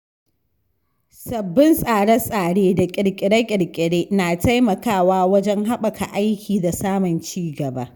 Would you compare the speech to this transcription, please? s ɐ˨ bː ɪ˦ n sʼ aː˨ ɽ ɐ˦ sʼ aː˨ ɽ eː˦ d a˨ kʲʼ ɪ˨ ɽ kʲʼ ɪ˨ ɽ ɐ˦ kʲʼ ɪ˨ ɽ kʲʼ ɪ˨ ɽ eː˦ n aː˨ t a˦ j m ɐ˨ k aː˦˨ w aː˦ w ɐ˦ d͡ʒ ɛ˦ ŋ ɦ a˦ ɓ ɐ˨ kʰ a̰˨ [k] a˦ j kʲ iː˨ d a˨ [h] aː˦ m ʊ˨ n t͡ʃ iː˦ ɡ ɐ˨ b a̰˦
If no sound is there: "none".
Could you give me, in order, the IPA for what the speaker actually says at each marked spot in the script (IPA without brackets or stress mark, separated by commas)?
ʔ, s